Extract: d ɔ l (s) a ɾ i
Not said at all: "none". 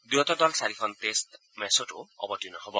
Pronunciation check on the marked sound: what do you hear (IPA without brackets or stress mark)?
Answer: s